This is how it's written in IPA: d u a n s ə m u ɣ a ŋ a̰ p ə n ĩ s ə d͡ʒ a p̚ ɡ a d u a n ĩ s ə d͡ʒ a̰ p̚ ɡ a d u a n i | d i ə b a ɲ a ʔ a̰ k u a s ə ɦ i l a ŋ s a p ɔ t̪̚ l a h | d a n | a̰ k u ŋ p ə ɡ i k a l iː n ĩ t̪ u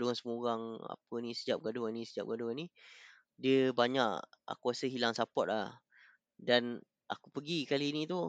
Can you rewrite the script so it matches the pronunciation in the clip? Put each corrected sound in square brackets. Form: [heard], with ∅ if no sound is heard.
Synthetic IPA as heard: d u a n s ə m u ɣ a ŋ a̰ p ə n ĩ s ə d͡ʒ a p̚ ɡ a d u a n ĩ s ə d͡ʒ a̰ p̚ ɡ a d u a n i | d i ə b a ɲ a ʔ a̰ k u a s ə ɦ i l a ŋ s a p ɔ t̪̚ l a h | d a n | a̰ k u [∅] p ə ɡ i k a l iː n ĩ t̪ u